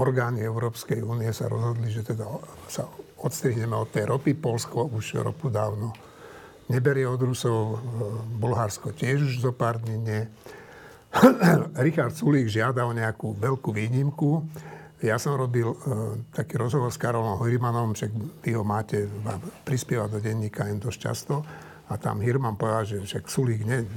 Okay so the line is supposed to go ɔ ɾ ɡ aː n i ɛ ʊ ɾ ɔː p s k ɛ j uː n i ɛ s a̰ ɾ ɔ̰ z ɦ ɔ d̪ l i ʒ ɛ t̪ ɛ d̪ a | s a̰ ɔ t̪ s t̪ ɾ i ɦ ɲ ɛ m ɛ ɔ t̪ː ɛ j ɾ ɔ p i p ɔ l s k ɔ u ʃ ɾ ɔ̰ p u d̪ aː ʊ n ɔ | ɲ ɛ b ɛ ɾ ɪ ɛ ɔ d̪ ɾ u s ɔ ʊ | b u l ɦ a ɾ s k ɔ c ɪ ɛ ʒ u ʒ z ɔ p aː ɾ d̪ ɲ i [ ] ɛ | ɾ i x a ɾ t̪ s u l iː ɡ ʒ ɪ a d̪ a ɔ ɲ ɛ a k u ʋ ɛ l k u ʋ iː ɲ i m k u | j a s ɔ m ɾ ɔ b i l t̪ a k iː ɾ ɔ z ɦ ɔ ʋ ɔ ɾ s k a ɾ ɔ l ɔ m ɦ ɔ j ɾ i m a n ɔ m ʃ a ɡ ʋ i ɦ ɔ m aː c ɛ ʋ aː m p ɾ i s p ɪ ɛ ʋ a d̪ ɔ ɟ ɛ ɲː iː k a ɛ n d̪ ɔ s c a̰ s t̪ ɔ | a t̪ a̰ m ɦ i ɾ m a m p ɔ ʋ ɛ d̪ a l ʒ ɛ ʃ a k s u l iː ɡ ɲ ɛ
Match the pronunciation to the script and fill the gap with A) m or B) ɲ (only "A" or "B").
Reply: B